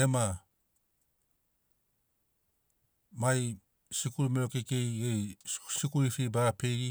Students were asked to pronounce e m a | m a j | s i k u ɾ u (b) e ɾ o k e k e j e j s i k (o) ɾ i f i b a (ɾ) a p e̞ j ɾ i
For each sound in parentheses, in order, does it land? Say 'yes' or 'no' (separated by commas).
no, no, yes